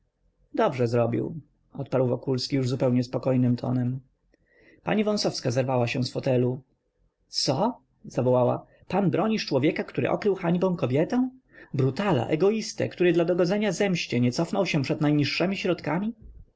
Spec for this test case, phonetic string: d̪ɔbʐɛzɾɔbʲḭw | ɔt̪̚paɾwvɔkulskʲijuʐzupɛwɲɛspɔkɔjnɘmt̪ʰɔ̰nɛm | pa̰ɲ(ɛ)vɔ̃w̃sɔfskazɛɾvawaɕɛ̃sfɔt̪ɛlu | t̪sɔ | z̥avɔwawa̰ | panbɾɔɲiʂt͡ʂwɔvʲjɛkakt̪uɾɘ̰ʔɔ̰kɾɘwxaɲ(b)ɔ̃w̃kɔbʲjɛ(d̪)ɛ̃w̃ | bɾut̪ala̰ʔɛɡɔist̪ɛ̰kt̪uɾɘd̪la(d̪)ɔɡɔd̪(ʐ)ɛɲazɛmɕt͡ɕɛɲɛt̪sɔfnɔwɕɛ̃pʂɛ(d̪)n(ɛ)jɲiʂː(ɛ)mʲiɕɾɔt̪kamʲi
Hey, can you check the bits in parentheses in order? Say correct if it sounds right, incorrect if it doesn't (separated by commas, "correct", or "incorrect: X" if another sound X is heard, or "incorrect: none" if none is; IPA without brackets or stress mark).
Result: incorrect: i, correct, incorrect: t̪, correct, incorrect: z, correct, incorrect: a, correct